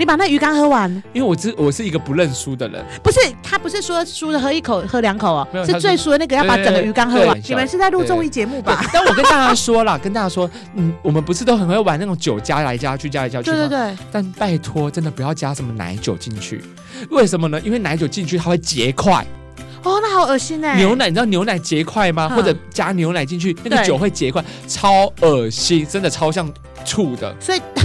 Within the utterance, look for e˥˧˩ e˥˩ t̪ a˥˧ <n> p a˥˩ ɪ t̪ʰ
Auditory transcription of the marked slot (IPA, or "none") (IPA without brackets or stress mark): n